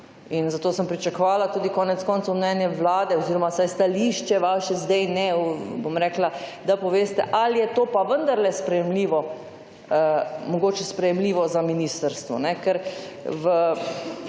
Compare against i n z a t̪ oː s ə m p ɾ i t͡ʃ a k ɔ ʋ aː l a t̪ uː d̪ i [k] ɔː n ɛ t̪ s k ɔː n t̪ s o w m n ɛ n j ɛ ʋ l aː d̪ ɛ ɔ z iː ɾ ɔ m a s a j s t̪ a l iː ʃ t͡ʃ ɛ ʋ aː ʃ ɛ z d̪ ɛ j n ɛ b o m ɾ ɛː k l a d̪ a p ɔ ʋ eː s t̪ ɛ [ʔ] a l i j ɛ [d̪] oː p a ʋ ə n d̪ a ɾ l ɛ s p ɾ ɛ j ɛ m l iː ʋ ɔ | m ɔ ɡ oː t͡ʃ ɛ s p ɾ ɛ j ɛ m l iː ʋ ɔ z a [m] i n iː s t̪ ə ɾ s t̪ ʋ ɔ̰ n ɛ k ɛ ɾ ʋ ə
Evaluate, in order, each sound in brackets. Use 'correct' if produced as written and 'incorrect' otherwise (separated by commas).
correct, correct, incorrect, correct